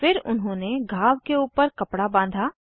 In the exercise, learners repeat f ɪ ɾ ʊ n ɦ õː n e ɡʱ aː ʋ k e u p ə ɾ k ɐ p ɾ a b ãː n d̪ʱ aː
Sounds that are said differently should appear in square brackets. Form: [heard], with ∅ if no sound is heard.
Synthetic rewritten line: f ɪ ɾ ʊ n ɦ õː n e ɡʱ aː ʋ k e [uː] p ə ɾ k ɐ p [ɽ] a b ãː n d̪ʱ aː

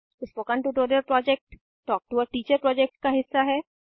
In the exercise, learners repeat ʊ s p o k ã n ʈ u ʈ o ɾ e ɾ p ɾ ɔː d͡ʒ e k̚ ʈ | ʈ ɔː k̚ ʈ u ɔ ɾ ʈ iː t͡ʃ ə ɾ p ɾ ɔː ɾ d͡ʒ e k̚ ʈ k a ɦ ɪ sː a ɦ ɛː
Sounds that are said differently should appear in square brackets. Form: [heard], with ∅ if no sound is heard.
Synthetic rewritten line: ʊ s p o k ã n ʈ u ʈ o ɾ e ɾ p ɾ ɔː d͡ʒ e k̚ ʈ | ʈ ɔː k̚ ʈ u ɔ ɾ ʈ iː t͡ʃ ə ɾ p ɾ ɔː [∅] d͡ʒ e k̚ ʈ k a ɦ ɪ sː a ɦ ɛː

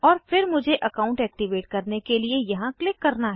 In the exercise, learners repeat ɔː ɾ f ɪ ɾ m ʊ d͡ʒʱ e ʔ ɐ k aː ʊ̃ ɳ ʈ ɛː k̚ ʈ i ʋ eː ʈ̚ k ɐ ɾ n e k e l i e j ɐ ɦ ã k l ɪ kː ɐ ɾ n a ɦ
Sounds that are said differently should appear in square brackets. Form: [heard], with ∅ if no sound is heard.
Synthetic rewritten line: ɔː ɾ f ɪ ɾ m ʊ d͡ʒʱ e ʔ ɐ k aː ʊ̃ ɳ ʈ ɛː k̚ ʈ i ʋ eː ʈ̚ k ɐ ɾ n e k e l i e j ɐ ɦ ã k l ɪ kː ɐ ɾ n a ɦ

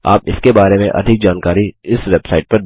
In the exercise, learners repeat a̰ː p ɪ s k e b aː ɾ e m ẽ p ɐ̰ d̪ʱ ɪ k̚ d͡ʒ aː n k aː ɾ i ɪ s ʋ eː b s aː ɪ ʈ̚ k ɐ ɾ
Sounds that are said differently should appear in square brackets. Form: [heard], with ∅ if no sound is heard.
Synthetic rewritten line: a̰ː p ɪ s k e b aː ɾ e m ẽ [ʔ] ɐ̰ d̪ʱ ɪ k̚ d͡ʒ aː n k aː ɾ i ɪ s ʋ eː b s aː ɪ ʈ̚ [p] ɐ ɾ

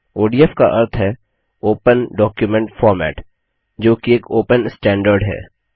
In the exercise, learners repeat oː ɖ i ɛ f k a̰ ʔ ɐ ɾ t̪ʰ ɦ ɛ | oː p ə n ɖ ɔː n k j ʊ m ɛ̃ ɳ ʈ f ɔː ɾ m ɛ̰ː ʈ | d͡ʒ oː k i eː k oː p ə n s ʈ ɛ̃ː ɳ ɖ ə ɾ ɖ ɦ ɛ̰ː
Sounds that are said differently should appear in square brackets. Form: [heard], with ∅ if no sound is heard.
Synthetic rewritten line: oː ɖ i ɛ f k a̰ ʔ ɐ ɾ t̪ʰ ɦ ɛ | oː p ə n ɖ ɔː [∅] k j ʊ m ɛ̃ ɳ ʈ f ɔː ɾ m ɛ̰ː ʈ | d͡ʒ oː k i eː k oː p ə n s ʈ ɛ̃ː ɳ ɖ ə ɾ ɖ ɦ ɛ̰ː

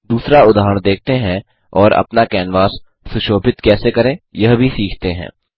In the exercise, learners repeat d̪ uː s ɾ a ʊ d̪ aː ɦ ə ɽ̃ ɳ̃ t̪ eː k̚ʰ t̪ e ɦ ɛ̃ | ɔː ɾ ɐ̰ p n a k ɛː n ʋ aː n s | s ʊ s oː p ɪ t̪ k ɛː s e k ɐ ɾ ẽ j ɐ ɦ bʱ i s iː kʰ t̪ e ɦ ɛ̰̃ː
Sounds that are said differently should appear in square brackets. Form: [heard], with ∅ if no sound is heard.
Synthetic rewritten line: d̪ uː s ɾ a ʊ d̪ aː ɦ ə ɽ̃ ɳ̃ [d̪] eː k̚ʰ t̪ e ɦ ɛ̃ | ɔː ɾ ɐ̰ p n a k ɛː n ʋ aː [∅] s | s ʊ [ʃ] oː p ɪ t̪ k ɛː s e k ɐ ɾ ẽ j ɐ ɦ bʱ i s iː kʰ t̪ e ɦ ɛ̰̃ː

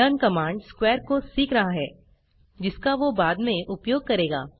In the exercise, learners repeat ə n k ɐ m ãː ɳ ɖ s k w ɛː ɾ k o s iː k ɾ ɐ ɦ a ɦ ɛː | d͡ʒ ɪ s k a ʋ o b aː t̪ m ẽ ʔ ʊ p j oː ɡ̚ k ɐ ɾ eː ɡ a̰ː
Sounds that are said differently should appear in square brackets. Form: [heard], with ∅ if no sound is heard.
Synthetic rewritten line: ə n k ɐ m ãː ɳ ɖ s k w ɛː ɾ k o s iː k ɾ ɐ ɦ a ɦ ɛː | d͡ʒ ɪ s k a ʋ o b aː [d̪] m ẽ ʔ ʊ p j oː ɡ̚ k ɐ ɾ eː ɡ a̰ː

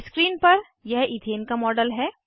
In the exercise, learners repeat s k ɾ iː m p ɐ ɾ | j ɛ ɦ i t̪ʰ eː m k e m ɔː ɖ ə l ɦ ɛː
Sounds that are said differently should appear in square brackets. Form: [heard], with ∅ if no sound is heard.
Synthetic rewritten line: s k ɾ iː [n] p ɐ ɾ | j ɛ ɦ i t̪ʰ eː [n] k [a] m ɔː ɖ ə l ɦ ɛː

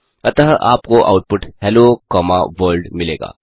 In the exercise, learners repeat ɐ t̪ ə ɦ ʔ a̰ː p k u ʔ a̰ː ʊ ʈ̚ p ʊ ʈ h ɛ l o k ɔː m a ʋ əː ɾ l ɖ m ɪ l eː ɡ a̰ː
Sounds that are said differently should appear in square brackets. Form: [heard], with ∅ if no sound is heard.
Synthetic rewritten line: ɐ t̪ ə ɦ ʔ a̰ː p k [o] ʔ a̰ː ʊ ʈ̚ p ʊ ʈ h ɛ l o k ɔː m a ʋ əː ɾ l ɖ m ɪ l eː ɡ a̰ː

